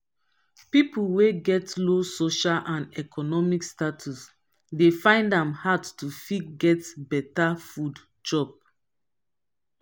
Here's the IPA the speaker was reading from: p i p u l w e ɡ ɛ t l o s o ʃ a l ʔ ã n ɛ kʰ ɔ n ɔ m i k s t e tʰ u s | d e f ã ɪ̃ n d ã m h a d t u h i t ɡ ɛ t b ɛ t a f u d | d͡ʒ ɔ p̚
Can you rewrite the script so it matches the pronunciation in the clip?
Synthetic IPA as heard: p i p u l w e ɡ ɛ t l o s o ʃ a l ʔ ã n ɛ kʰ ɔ n ɔ m i k s t a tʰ u s | d e f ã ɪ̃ n d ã m h a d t u f i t ɡ ɛ t b ɛ t a f u d | d͡ʒ ɔ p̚